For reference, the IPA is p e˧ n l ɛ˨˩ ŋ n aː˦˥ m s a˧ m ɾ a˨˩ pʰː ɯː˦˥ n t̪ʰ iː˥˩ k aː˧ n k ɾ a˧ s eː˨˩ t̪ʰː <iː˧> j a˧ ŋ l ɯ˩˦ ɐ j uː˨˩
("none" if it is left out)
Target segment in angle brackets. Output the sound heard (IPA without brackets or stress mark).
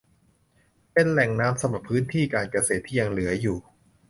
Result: iː˥˩